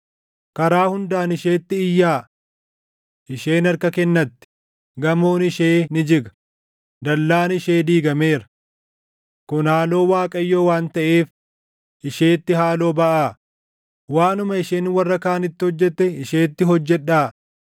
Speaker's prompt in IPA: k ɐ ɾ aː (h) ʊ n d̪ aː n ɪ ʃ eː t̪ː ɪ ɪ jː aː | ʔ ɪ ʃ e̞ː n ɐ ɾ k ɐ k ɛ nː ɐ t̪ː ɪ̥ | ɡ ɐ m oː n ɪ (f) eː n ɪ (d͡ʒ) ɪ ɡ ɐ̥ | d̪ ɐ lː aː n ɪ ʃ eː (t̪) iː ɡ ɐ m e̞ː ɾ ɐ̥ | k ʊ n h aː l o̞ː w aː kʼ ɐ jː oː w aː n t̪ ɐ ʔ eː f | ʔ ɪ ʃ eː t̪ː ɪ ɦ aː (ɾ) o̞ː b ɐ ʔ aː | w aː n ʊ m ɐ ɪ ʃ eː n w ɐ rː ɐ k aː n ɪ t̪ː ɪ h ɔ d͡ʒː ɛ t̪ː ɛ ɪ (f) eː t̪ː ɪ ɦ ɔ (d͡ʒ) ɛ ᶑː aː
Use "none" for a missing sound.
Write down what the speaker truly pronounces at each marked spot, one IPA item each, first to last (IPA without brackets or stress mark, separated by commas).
h, ʃ, d͡ʒ, d̪, l, ʃ, d͡ʒː